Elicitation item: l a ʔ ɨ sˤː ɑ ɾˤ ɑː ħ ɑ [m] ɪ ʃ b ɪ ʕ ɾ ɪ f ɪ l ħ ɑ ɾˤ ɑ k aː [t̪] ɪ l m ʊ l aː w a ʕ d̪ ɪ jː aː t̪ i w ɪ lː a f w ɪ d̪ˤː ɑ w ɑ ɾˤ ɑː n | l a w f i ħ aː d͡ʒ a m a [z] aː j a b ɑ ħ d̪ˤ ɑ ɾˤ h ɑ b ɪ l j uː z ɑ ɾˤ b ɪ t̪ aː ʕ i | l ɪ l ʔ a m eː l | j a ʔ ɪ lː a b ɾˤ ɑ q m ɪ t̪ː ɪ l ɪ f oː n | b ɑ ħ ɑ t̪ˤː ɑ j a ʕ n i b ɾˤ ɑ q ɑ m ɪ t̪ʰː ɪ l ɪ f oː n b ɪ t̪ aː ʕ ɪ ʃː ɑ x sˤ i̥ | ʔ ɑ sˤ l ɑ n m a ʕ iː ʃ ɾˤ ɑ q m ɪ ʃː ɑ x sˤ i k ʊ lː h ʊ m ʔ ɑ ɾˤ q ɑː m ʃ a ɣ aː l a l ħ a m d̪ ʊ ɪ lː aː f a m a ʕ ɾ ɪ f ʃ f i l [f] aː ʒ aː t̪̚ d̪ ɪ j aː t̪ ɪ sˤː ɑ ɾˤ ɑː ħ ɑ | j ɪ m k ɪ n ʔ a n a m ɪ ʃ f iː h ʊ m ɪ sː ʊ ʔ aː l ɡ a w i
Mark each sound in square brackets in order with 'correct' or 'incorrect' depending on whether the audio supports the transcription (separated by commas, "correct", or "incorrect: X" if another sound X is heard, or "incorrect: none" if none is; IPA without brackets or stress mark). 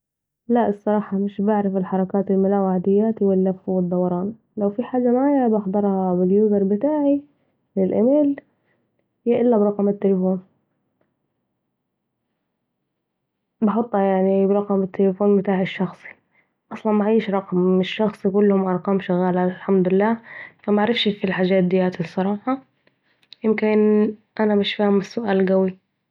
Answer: correct, correct, incorrect: ʕ, incorrect: ħ